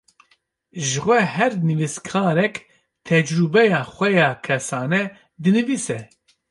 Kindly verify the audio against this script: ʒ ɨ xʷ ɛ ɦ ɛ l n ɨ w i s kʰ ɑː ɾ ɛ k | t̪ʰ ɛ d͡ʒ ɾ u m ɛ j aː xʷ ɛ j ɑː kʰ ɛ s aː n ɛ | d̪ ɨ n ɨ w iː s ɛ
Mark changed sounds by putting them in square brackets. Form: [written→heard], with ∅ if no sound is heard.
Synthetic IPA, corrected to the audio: ʒ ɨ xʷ ɛ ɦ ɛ [l→ɾ] n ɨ [w→v] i s kʰ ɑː ɾ ɛ k | t̪ʰ ɛ d͡ʒ ɾ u [m→b] ɛ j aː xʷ ɛ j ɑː kʰ ɛ s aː n ɛ | d̪ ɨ n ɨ [w→v] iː s ɛ